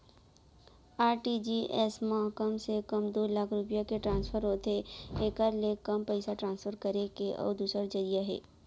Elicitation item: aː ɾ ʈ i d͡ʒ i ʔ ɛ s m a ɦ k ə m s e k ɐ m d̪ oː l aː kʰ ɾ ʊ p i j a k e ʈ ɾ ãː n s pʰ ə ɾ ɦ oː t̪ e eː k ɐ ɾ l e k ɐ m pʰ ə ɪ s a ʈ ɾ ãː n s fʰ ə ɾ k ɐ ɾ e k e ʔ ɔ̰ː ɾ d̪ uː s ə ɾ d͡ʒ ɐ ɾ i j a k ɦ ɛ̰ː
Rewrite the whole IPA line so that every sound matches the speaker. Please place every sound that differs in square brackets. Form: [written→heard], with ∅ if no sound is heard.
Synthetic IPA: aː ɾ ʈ i d͡ʒ i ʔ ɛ s m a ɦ k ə m s e k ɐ m d̪ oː l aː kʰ ɾ ʊ p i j a k e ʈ ɾ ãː n s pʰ ə ɾ ɦ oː t̪ e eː k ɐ ɾ l e k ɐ m [pʰ→p] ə ɪ s a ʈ ɾ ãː n s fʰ ə ɾ k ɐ ɾ e k e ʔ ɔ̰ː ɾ d̪ uː s ə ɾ d͡ʒ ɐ ɾ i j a [k→∅] ɦ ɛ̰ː